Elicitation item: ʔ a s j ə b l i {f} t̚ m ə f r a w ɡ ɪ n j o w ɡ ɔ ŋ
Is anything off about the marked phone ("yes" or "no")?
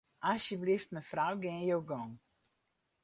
no